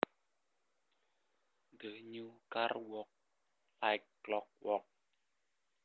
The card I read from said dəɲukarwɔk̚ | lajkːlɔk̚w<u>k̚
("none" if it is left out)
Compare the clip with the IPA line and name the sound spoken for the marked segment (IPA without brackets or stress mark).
ɔ